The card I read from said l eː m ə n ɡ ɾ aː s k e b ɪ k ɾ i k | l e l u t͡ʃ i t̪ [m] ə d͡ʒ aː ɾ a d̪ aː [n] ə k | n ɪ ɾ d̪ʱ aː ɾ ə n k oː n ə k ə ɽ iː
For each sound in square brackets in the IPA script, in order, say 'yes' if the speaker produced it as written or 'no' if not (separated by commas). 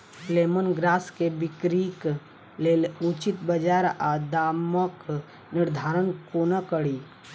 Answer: no, no